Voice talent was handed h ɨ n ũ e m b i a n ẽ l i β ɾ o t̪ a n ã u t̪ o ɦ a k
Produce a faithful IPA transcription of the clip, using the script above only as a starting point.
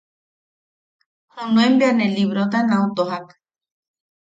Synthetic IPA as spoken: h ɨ n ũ e m b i a n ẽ l i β ɾ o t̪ a n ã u t̪ o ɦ a k